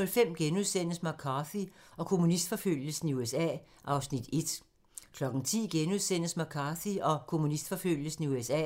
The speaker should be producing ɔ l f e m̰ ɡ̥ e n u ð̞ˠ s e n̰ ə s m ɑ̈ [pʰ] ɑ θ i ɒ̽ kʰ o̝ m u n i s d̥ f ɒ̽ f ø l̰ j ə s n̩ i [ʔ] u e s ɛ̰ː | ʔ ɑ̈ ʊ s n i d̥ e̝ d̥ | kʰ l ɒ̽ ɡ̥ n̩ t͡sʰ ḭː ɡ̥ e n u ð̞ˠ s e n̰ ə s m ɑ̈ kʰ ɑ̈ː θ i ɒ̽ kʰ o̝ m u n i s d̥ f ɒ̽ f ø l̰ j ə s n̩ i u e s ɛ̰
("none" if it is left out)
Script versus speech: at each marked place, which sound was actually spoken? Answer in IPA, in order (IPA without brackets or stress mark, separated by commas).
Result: kʰ, none